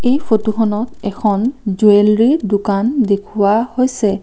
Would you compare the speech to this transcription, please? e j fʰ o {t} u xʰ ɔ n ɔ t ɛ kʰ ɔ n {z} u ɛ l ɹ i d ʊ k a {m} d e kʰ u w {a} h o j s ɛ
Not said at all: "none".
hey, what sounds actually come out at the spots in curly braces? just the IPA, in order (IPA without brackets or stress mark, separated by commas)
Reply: t, z, n, a